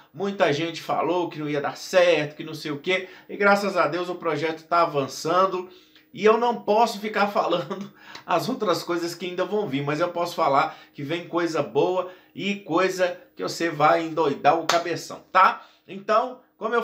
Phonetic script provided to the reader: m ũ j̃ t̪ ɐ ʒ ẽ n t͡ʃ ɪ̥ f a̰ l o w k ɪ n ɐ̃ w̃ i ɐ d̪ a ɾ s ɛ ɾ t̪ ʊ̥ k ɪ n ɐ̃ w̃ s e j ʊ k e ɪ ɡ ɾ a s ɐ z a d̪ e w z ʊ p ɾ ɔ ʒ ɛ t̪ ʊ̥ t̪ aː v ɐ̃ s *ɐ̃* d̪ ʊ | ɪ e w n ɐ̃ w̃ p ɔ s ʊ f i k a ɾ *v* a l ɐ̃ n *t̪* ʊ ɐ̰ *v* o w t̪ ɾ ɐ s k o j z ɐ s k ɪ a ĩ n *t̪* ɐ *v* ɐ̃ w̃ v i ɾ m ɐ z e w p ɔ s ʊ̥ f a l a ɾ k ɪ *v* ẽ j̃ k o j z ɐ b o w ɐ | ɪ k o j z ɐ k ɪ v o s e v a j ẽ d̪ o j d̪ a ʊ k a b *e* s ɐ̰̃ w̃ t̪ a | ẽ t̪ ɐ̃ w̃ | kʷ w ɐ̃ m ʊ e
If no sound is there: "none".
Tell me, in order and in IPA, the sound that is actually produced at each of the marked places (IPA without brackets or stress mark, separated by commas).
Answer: ɐ̃, f, d̪, z, d̪, v, v, e